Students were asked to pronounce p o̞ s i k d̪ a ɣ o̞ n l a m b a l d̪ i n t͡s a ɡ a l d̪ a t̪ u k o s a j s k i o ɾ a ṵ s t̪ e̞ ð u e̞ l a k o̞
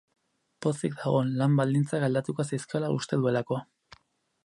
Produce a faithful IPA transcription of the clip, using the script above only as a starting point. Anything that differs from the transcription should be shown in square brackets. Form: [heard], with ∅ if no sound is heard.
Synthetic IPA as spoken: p o̞ s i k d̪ a ɣ o̞ n l a m b a l d̪ i n t͡s a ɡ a l d̪ a t̪ u k o s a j s k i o [l] a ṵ s t̪ e̞ ð u e̞ l a k o̞

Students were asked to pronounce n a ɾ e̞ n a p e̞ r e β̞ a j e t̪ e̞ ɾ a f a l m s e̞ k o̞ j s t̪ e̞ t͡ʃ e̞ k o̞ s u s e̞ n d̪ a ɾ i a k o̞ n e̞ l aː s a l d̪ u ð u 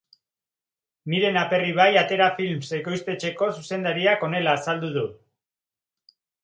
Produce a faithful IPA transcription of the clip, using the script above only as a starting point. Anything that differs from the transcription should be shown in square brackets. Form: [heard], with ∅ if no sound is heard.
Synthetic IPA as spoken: n [i] ɾ e̞ n a p e̞ r [i] β̞ a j [a] t̪ e̞ ɾ a f [i] l m s e̞ k o̞ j s t̪ e̞ t͡ʃ e̞ k o̞ s u s e̞ n d̪ a ɾ i a k o̞ n e̞ l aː s a l d̪ u ð u

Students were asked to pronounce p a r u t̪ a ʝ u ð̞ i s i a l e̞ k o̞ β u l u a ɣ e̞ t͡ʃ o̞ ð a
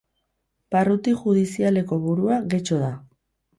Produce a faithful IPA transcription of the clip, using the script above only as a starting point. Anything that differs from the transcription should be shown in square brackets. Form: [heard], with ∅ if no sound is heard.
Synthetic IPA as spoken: p a r u t̪ [i] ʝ u ð̞ i s i a l e̞ k o̞ β u [ɾ] u a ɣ e̞ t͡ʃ o̞ ð a

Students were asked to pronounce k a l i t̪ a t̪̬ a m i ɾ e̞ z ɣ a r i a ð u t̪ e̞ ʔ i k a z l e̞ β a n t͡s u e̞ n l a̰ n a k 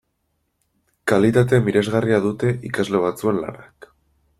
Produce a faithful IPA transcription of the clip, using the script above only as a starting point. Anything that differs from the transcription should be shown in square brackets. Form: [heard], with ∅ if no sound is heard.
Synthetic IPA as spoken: k a l i t̪ a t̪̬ [e] m i ɾ e̞ z ɣ a r i a ð u t̪ e̞ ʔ i k a z l e̞ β a [∅] t͡s u e̞ n l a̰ n a k

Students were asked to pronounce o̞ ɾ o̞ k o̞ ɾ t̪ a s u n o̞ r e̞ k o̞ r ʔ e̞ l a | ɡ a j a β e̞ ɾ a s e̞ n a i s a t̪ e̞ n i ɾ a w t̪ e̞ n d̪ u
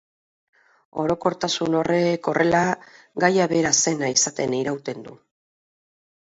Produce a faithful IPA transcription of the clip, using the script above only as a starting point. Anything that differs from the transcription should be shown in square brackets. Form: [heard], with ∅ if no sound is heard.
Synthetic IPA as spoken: o̞ ɾ o̞ k o̞ ɾ t̪ a s u n o̞ r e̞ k o̞ r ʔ e̞ l a | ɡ a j a β e̞ ɾ a s e̞ n a i s a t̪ e̞ n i ɾ a w t̪ e̞ n d̪ u

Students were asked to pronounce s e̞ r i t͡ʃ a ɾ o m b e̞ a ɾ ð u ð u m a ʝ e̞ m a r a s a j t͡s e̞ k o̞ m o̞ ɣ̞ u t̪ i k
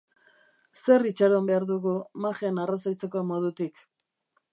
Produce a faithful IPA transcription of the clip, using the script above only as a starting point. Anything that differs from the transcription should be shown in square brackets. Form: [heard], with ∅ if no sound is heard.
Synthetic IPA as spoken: s e̞ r i t͡ʃ a ɾ o m b e̞ a ɾ ð u [ɣ] u m a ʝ e̞ [n] a r a s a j t͡s e̞ k o̞ m o̞ [ð̞] u t̪ i k

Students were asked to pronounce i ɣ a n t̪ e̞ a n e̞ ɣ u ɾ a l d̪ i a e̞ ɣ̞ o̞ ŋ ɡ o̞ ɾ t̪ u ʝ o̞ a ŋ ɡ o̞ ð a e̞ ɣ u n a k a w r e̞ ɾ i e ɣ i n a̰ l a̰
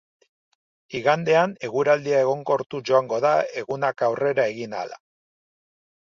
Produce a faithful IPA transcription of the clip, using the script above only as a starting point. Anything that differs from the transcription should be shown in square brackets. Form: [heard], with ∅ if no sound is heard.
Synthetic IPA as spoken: i ɣ a n [d̪] e̞ a n e̞ ɣ u ɾ a l d̪ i a e̞ ɣ̞ o̞ ŋ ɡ o̞ ɾ t̪ u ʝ o̞ a ŋ ɡ o̞ ð a e̞ ɣ u n a k a w r e̞ ɾ [a] e ɣ i n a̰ l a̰

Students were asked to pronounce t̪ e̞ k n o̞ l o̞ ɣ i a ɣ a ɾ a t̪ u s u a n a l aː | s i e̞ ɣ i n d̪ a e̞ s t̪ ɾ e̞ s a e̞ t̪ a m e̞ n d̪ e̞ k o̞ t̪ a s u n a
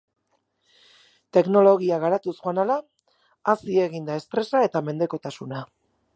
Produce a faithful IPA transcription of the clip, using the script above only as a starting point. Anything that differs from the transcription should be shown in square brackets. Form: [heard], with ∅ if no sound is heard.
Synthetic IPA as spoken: t̪ e̞ k n o̞ l o̞ ɣ i a ɣ a ɾ a t̪ u s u a n a l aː | s i e̞ ɣ i n d̪ a e̞ s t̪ ɾ e̞ s a e̞ t̪ a m e̞ n d̪ e̞ k o̞ t̪ a s u n a

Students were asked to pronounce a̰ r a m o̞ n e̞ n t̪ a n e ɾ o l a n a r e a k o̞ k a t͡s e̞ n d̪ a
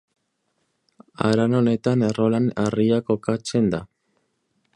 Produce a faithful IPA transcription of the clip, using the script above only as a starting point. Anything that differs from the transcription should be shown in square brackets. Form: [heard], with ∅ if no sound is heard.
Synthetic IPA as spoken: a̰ [ɾ] a [n] o̞ n e̞ [∅] t̪ a n e [r] o l a n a r [i] a k o̞ k a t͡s e̞ n d̪ a

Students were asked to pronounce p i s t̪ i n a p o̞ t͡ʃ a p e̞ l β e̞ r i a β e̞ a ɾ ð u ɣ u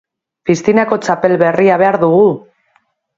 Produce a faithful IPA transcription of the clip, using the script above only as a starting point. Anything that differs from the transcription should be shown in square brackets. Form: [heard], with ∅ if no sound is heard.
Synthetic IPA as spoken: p i s t̪ i n a [k] o̞ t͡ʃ a p e̞ l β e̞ r i a β e̞ a ɾ ð u ɣ u

